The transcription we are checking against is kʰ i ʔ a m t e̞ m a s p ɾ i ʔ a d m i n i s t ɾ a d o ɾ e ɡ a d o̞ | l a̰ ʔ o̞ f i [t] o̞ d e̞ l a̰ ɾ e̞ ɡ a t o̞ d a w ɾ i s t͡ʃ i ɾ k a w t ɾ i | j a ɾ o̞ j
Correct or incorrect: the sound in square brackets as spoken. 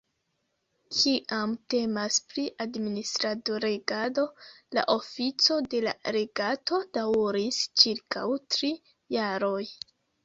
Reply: incorrect: t͡s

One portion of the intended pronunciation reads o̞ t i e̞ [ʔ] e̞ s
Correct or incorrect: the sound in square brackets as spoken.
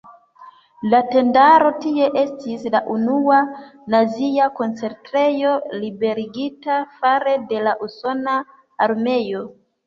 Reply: correct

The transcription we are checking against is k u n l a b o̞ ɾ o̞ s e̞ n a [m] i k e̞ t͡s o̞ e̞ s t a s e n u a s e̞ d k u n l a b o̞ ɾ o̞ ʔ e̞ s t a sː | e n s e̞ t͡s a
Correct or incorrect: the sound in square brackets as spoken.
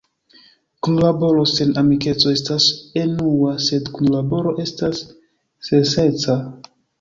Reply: correct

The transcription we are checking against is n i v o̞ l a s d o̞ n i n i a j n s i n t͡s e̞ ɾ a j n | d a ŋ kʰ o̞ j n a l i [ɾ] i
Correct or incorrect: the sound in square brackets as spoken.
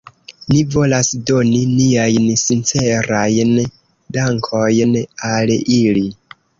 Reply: incorrect: l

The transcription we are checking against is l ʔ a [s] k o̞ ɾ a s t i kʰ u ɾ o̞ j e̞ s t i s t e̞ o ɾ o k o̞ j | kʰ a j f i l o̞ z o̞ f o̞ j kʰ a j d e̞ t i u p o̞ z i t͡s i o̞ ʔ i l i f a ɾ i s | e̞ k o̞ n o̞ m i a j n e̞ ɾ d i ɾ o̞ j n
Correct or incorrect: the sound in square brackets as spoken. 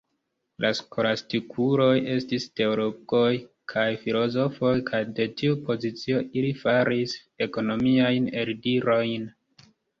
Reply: correct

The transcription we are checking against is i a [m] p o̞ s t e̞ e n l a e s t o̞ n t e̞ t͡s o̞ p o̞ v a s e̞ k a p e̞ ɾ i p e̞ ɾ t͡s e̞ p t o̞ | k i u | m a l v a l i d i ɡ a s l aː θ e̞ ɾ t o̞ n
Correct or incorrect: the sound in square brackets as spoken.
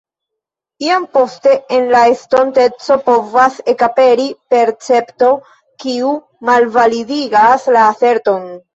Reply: correct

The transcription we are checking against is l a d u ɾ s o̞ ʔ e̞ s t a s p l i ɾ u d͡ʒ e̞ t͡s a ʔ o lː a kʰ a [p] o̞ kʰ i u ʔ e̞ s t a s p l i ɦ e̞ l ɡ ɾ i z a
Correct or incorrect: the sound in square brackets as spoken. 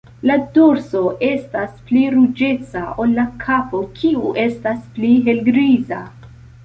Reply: correct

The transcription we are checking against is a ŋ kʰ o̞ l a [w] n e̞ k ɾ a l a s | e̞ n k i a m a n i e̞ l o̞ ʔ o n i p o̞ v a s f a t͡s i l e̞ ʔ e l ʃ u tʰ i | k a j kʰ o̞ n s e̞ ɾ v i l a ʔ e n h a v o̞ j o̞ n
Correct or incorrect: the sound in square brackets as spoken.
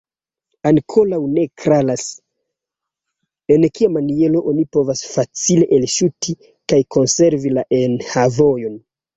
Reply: correct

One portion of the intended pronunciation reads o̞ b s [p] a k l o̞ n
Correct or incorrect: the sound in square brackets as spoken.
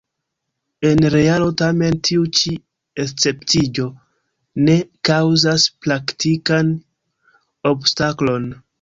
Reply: incorrect: t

